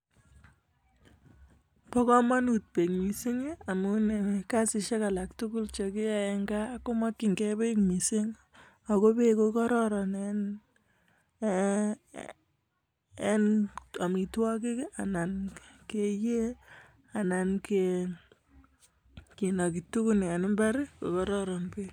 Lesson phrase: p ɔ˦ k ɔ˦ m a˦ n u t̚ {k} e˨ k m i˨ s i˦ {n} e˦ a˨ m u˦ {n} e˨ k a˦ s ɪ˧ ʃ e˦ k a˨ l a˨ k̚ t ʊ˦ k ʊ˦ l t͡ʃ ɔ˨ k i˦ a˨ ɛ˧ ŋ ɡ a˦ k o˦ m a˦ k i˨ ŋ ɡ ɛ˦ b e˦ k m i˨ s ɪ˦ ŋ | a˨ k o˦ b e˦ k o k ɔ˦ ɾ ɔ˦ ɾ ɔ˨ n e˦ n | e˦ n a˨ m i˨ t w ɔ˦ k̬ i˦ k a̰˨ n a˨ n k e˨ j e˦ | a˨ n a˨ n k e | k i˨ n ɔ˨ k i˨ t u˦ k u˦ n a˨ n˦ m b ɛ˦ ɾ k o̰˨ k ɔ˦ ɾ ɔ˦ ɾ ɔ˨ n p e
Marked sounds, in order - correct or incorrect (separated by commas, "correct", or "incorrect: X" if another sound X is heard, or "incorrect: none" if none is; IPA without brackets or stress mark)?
incorrect: p, incorrect: ŋ, correct